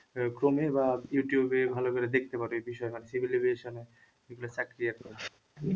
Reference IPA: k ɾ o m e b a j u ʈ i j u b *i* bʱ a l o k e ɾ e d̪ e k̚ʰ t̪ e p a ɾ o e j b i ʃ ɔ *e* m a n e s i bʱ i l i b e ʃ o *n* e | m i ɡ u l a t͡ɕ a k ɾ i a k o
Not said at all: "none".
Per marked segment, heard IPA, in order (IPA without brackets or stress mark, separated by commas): e, e, n